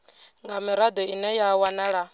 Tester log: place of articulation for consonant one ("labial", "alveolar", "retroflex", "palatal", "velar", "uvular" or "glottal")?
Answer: velar